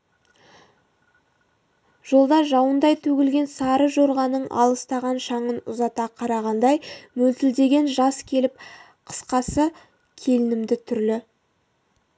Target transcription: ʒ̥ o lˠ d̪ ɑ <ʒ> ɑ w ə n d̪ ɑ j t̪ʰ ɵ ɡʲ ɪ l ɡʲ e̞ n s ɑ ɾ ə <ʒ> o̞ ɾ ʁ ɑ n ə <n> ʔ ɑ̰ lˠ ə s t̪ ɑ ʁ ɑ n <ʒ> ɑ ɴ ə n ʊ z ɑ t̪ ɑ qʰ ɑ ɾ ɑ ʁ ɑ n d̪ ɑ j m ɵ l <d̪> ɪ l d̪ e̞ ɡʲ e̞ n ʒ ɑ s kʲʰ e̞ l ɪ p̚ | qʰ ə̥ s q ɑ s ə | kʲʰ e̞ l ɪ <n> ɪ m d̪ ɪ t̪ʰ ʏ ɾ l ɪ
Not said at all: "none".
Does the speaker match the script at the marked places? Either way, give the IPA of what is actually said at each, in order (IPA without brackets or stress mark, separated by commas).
ʒ, ʒ, ɴ, ʃ, t̪, n